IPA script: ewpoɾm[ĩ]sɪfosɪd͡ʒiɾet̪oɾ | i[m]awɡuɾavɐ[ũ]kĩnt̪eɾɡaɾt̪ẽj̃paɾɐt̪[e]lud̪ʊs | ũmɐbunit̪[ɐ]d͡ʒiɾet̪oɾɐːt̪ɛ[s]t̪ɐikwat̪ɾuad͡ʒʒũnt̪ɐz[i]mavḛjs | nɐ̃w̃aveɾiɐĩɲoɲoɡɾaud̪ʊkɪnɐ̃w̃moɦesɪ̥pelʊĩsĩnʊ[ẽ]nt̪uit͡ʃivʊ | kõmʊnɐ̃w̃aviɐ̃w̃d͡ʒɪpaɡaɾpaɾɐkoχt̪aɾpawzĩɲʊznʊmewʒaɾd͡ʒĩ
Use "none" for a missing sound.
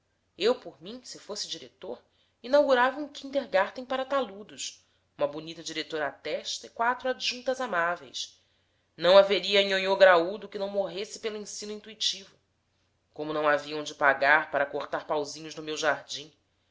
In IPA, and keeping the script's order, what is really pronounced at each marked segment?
ĩ, n, ũ, a, ɐ, ʃ, a, ĩ

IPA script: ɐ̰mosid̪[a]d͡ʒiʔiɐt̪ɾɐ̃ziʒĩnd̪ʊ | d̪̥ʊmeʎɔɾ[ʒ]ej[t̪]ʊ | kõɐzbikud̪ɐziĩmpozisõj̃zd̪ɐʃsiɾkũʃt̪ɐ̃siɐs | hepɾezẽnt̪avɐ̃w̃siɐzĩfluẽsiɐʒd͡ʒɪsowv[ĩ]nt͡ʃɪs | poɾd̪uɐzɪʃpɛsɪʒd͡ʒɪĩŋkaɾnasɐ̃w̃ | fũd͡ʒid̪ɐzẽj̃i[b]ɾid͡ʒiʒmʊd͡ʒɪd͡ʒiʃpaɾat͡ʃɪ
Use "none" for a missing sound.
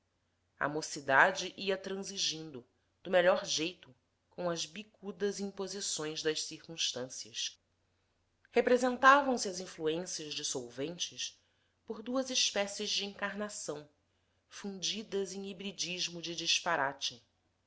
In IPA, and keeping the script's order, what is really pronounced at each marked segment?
a, ʒ, t̪, ẽ, b

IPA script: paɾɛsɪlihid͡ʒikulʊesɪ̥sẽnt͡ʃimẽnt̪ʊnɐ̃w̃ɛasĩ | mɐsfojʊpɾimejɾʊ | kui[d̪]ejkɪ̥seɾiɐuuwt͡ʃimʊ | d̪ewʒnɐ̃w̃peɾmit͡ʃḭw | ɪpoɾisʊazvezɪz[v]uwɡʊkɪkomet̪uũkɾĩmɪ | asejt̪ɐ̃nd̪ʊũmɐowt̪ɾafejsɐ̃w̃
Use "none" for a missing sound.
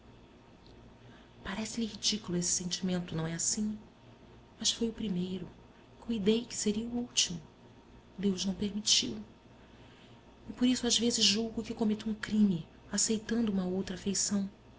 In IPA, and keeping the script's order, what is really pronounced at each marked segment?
d̪, ʒ

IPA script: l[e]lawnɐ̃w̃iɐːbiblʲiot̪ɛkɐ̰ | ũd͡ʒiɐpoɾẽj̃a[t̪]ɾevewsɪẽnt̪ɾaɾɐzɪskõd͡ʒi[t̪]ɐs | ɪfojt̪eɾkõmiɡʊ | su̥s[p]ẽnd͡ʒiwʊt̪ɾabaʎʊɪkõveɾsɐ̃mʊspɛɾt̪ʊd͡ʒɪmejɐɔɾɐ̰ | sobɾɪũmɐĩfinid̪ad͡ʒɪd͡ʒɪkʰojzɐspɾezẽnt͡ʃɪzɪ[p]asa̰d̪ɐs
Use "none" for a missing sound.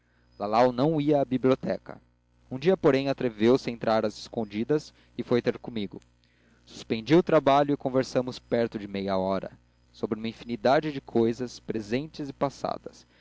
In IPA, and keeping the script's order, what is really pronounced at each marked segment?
a, t̪, d̪, p, p

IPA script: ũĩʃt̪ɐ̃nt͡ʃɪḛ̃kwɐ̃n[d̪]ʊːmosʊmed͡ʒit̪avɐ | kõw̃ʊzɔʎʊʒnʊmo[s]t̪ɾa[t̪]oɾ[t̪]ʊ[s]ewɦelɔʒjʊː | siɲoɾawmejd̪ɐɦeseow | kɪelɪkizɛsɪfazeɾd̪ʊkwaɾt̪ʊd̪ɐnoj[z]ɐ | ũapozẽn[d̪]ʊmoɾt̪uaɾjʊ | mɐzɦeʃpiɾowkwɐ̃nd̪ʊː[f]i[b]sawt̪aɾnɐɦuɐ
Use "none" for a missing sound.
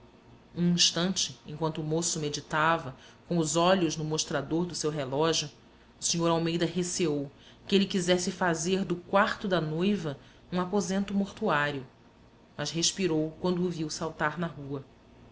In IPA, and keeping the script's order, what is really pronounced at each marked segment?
t̪, ʃ, d̪, d̪, s, v, t̪, v, w

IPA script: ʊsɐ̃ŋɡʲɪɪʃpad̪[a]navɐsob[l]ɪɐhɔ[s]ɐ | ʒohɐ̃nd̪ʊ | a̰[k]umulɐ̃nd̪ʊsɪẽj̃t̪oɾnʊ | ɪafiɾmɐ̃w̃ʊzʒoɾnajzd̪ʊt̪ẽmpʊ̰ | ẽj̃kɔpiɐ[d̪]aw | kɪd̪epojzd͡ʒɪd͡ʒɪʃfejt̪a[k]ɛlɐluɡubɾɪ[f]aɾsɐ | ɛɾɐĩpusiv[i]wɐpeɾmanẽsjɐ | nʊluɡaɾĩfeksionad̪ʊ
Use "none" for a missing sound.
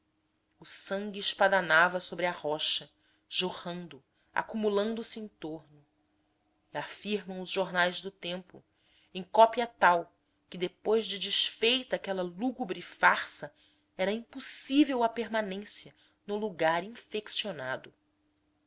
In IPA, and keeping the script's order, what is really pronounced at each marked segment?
a, ɾ, ʃ, k, t̪, k, f, e

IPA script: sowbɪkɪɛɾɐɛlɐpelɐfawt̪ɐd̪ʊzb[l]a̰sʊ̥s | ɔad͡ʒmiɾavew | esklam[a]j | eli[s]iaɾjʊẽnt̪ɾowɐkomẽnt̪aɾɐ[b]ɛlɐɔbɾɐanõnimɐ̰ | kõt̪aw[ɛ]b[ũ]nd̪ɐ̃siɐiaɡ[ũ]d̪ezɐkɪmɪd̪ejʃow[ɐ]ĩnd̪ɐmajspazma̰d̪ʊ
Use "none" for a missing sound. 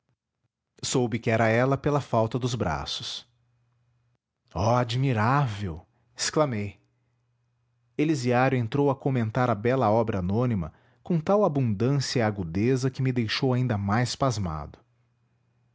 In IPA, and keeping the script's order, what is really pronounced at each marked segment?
ɾ, e, z, b, a, ũ, u, a

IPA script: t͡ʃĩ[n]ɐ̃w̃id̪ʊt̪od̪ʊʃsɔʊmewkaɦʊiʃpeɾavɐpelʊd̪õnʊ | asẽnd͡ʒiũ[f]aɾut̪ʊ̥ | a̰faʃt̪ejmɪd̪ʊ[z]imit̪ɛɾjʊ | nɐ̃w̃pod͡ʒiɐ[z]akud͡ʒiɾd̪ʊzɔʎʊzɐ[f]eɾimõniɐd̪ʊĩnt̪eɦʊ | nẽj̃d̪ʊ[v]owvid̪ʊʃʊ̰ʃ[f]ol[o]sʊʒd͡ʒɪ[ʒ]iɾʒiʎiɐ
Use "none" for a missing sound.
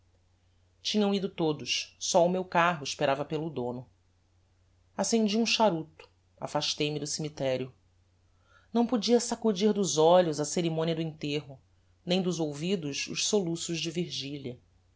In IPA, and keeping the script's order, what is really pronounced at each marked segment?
ɲ, ʃ, s, s, s, z, s, u, v

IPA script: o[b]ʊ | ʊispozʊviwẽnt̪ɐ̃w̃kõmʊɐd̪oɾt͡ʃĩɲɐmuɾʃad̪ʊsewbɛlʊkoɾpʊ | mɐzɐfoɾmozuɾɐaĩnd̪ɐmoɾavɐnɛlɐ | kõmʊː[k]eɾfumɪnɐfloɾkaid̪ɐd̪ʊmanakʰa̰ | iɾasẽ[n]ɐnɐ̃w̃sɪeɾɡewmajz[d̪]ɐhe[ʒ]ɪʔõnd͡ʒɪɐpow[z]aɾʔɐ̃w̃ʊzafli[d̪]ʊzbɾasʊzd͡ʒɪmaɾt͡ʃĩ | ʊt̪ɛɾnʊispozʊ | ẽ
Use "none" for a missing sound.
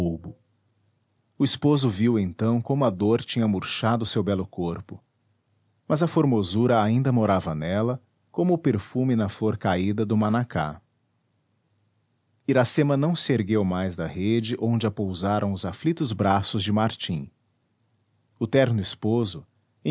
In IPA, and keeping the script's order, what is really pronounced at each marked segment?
b, p, m, d̪, d͡ʒ, z, t̪

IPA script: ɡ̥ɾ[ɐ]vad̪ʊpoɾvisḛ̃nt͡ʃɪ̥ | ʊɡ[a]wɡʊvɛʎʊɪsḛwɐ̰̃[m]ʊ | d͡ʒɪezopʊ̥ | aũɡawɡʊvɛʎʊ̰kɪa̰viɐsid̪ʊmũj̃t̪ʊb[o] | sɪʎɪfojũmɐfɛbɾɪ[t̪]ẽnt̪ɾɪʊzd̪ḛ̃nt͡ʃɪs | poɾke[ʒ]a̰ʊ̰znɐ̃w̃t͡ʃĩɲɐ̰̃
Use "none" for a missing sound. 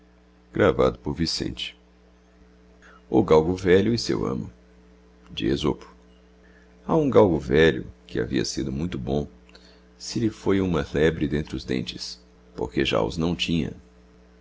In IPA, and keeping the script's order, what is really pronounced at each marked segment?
a, a, m, õ, d̪, ʒ

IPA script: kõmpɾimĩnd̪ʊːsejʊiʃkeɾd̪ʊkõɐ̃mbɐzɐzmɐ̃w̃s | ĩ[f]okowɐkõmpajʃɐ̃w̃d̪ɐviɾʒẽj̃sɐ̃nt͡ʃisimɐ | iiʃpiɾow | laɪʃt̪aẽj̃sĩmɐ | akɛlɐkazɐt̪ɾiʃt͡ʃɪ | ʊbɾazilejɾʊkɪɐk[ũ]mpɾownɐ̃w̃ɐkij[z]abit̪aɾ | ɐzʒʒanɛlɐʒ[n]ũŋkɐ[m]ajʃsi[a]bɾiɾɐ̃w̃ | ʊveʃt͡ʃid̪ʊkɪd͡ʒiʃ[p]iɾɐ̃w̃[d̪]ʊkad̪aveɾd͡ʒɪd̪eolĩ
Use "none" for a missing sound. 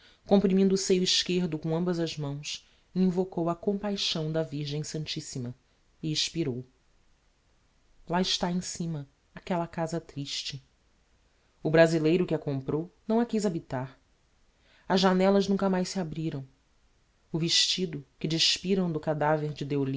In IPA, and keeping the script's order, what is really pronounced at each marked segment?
v, õ, z, n, m, a, p, d̪

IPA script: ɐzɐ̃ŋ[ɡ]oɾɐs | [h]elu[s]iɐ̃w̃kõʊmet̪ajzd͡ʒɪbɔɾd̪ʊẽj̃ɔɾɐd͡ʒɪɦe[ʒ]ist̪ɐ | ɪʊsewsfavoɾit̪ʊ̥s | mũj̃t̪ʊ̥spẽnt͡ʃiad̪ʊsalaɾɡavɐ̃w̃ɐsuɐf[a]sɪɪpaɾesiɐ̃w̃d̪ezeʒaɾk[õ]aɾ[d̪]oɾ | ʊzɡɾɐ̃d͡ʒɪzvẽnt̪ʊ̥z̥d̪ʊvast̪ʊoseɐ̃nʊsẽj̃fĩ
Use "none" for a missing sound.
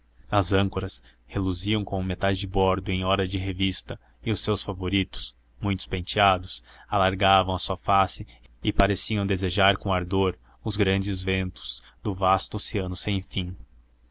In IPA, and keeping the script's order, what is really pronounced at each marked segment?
k, h, z, v, a, õ, d̪

